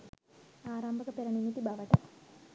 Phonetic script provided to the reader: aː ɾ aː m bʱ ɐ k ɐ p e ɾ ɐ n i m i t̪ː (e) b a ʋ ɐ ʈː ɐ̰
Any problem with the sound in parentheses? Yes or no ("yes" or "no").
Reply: yes